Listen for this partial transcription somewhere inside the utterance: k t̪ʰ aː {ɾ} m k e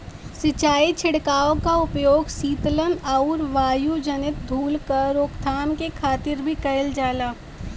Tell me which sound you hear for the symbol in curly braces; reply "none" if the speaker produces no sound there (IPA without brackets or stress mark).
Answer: none